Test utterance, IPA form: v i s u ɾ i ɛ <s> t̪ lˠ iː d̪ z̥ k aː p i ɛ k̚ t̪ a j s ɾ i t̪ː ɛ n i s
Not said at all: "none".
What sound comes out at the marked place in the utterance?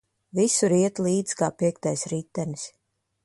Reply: none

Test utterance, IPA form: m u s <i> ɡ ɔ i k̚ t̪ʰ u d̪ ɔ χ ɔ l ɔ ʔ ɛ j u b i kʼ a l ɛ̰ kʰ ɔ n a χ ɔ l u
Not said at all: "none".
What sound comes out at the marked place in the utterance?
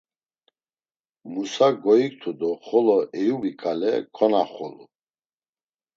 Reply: a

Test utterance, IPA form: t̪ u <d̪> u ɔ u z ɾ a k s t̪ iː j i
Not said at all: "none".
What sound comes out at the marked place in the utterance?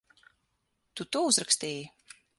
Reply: t̪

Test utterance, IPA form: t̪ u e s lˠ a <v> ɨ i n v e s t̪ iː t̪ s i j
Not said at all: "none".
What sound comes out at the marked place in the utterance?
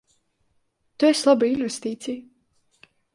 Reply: b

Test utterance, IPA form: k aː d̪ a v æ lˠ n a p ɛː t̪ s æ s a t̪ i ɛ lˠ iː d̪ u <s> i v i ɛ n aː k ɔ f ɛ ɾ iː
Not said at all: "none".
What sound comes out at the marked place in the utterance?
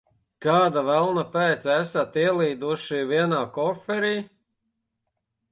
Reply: ʃ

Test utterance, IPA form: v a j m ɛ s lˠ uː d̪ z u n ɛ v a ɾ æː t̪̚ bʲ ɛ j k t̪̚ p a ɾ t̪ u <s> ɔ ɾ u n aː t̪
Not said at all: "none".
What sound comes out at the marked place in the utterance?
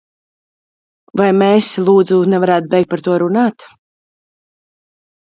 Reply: none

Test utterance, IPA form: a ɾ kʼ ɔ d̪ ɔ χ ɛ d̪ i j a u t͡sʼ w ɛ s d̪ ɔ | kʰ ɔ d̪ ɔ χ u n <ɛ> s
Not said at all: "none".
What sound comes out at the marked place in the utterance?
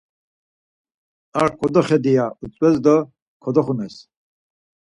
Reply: ɛ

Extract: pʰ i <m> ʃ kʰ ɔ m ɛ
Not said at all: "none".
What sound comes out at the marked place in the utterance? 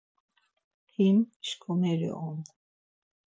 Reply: m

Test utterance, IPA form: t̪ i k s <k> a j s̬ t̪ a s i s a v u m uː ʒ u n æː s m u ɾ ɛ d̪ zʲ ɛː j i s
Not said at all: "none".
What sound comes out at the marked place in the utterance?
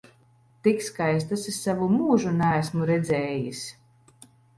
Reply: k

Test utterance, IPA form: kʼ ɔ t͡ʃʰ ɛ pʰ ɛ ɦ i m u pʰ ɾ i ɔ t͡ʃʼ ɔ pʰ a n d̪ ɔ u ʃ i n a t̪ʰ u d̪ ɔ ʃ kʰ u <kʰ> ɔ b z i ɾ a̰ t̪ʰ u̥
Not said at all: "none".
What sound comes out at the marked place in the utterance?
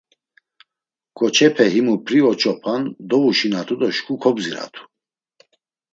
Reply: kʰ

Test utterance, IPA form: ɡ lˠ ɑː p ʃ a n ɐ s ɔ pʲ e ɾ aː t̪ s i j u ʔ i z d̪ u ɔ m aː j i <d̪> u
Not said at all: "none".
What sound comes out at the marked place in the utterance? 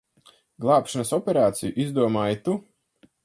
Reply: t̪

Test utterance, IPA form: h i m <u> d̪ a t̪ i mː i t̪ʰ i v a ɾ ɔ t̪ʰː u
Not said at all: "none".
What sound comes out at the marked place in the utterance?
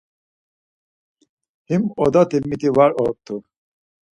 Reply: ɔ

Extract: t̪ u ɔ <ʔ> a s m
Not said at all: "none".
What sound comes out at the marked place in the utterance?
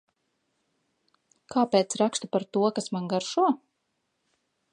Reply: k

